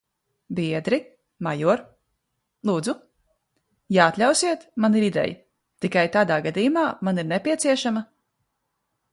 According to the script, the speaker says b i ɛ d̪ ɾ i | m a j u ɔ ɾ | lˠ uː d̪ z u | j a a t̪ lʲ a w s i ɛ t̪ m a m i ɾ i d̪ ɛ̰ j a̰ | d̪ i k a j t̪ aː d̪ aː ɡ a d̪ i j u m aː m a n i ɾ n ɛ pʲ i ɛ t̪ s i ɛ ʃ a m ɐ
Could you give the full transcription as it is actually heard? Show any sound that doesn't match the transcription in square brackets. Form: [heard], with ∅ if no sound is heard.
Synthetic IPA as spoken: b i ɛ d̪ ɾ i | m a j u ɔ ɾ | lˠ uː d̪ z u | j a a t̪ lʲ a w s i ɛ t̪ m a [n] i ɾ i d̪ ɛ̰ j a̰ | [t̪] i k a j t̪ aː d̪ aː ɡ a d̪ i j u m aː m a n i ɾ n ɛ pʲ i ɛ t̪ s i ɛ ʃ a m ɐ